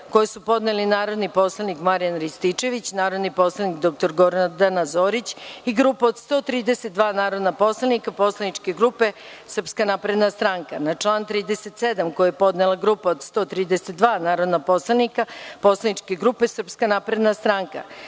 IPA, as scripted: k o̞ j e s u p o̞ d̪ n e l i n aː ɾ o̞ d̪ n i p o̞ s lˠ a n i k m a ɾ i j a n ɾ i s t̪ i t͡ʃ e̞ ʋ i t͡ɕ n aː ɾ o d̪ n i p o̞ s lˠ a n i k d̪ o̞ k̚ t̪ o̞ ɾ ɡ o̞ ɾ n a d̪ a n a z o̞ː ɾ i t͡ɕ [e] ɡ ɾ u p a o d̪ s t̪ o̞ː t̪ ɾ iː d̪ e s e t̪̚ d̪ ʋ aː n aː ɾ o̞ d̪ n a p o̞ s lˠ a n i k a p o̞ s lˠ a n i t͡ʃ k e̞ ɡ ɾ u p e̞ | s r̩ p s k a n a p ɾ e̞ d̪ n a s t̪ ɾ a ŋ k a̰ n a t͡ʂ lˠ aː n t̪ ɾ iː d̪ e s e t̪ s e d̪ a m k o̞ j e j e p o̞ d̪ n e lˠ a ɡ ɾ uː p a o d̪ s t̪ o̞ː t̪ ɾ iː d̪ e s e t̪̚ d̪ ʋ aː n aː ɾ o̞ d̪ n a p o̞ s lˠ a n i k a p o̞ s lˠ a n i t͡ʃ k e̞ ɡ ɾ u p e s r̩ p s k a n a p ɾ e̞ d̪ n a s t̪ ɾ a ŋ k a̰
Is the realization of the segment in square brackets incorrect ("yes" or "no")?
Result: yes